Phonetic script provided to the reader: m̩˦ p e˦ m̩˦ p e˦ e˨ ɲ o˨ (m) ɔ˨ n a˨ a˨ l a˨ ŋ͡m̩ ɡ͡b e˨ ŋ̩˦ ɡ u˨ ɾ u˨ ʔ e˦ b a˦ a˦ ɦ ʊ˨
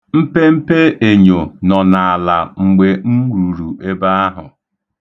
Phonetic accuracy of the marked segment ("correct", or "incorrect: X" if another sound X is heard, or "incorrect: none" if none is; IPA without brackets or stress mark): incorrect: n